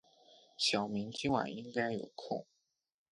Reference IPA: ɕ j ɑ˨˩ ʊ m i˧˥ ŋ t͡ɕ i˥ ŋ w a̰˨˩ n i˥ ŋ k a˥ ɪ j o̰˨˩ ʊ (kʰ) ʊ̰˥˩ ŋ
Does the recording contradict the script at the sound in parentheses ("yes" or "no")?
no